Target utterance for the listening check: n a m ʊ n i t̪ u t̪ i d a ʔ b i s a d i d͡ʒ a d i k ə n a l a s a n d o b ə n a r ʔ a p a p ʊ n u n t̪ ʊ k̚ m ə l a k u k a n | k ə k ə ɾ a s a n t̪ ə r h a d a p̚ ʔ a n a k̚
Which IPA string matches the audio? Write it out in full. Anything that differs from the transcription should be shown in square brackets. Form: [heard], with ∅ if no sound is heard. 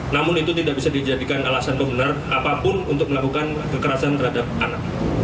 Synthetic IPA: n a m ʊ n i t̪ u t̪ i d a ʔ b i s a d i d͡ʒ a d i k [a] n a l a s a n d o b ə n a r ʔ a p a p ʊ n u n t̪ ʊ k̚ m ə l a k u k a n | k ə k ə ɾ a s a n t̪ ə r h a d a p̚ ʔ a n a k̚